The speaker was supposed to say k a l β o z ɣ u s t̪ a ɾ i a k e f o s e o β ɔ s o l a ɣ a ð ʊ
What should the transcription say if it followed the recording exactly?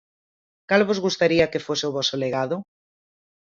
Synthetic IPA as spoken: k a l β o z ɣ u s t̪ a ɾ i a k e f o s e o β ɔ s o l e ɣ a ð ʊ